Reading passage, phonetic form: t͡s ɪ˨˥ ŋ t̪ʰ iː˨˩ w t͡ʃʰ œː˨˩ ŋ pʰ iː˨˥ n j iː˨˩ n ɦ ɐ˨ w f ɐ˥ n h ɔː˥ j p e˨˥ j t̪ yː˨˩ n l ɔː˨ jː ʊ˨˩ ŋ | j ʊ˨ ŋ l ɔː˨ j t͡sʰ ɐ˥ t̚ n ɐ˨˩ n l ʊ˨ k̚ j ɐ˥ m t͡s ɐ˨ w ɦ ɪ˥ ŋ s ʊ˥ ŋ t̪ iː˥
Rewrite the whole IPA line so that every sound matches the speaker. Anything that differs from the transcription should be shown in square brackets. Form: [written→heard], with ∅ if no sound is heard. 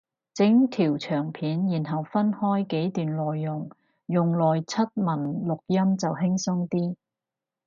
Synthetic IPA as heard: t͡s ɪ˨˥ ŋ t̪ʰ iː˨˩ w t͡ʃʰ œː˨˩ ŋ pʰ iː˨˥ n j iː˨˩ n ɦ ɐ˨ w f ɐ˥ n h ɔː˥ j [p→k] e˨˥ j t̪ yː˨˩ n l ɔː˨ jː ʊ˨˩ ŋ | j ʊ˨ ŋ l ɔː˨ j t͡sʰ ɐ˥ t̚ [n→m] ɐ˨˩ n l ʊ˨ k̚ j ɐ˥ m t͡s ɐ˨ w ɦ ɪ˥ ŋ s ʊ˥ ŋ t̪ iː˥